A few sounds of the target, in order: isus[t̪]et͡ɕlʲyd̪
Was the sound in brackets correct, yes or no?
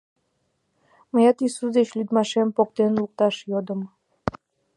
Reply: no